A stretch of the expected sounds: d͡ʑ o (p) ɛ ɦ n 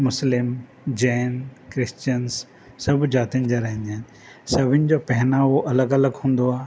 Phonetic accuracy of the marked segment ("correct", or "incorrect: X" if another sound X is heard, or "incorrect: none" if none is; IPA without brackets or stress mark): correct